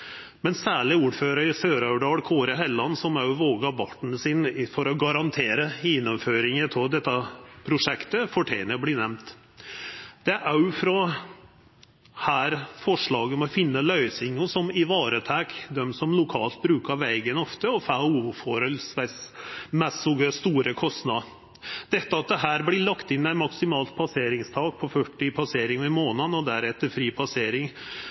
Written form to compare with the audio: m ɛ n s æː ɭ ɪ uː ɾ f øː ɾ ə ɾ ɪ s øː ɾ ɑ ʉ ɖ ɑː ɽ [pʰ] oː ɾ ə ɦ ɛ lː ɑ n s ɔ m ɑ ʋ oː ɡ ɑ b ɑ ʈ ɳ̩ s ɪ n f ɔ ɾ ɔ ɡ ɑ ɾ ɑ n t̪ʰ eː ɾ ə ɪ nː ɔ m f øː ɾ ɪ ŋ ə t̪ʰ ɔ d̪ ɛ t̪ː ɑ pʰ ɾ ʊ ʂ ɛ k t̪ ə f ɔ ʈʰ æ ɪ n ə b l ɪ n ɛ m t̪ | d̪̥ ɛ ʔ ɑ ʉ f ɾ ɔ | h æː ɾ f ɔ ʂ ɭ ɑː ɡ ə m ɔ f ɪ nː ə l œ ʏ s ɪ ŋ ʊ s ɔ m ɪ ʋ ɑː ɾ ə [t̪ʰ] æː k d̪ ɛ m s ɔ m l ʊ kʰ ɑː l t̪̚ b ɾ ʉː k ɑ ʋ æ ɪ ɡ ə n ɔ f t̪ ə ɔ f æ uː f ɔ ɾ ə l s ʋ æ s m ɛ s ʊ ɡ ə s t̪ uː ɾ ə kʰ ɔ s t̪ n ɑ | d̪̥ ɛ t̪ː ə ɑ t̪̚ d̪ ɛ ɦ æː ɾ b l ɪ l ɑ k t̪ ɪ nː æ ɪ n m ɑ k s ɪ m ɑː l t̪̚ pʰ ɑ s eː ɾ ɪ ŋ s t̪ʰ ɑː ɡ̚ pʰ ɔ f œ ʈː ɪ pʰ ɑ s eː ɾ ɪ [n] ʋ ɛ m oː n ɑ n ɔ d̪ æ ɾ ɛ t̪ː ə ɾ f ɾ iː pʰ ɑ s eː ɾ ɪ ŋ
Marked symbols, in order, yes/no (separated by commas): no, yes, no